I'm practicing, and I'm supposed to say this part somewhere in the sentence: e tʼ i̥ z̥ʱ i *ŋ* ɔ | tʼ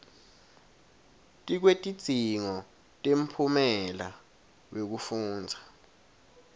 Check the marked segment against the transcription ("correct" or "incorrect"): correct